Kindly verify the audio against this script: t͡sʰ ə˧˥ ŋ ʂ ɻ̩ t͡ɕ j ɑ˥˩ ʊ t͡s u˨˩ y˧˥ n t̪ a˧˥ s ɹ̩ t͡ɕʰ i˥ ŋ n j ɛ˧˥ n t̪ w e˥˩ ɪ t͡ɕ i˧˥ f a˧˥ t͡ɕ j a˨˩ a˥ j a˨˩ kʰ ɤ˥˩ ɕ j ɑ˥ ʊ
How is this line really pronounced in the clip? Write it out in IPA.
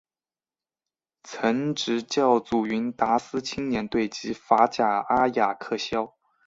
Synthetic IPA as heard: t͡sʰ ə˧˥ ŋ ʈ͡ʂ ɻ̩ t͡ɕ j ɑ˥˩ ʊ t͡s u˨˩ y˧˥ n t̪ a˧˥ s ɹ̩ t͡ɕʰ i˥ ŋ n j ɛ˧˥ n t̪ w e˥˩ ɪ t͡ɕ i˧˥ f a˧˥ t͡ɕ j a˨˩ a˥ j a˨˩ kʰ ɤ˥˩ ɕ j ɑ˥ ʊ